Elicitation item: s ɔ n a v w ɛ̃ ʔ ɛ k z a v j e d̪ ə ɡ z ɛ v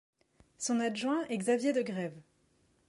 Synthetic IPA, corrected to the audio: s ɔ̃ n a ʒ w ɛ̃ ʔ ɛ ɡ z a v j e d̪ ə ɡ ʁ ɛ v